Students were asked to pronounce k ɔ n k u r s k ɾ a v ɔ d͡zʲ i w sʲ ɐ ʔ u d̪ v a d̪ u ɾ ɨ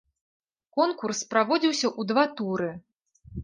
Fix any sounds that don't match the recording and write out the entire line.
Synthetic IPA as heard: k ɔ n k u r s p ɾ a v ɔ d͡zʲ i w sʲ ɐ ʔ u d̪ v a t̪ u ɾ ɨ